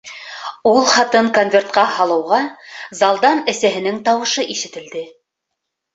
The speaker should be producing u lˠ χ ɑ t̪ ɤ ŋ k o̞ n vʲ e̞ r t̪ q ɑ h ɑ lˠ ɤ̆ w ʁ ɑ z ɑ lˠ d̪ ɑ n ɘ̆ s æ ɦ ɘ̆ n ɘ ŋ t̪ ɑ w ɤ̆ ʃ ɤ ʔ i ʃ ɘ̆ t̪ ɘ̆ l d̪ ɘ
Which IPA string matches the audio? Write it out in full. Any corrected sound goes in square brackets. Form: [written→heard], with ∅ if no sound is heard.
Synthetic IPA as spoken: u lˠ χ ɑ t̪ ɤ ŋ k o̞ n vʲ e̞ r t̪ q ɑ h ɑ lˠ ɤ̆ w ʁ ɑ z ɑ lˠ d̪ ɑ n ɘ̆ s æ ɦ ɘ̆ n ɘ ŋ t̪ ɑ w ɤ̆ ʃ ɤ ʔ i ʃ ɘ̆ t̪ ɘ̆ l d̪ ɘ